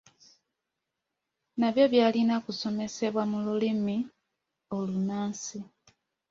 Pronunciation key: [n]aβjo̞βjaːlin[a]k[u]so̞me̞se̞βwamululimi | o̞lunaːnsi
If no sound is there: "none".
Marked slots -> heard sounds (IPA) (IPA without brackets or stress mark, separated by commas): n, a, u